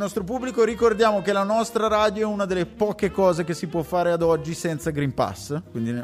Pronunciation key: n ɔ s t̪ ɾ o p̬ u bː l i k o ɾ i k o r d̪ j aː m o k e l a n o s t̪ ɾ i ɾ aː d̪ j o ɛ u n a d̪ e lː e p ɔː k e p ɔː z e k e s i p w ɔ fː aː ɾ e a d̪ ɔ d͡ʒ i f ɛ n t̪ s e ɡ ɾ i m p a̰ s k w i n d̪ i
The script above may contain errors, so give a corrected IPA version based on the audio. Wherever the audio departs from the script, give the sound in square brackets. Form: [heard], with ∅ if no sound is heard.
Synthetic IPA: n ɔ s t̪ ɾ o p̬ u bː l i k o ɾ i k o r d̪ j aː m o k e l a n [ɔ] s t̪ ɾ [a] ɾ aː d̪ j o ɛ u n a d̪ e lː e p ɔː k e [k] ɔː z e k e s i p w ɔ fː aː ɾ e a d̪ ɔ [d͡ʒː] i [s] ɛ n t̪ s [a] ɡ ɾ i m p a̰ s k w i n d̪ i